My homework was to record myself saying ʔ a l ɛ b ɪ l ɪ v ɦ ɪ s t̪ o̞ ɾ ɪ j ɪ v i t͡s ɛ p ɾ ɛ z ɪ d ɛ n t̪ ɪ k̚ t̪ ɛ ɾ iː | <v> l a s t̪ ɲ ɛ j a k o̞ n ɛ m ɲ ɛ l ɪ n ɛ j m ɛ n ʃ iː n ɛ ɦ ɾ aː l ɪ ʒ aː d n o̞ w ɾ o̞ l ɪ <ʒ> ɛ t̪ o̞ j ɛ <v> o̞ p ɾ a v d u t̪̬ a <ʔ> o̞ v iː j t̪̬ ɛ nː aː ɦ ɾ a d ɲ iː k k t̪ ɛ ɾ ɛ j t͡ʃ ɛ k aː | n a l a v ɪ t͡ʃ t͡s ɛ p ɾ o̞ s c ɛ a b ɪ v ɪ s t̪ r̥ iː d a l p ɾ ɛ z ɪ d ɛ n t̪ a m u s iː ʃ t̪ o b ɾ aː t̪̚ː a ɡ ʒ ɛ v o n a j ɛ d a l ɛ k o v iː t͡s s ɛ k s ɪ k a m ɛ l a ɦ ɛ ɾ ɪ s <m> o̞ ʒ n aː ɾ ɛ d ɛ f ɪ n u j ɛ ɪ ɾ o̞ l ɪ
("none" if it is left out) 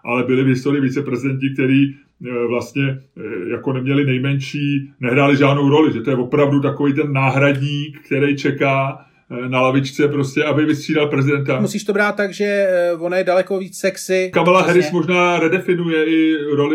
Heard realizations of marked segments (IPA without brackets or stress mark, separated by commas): v, ʒ, v, k, m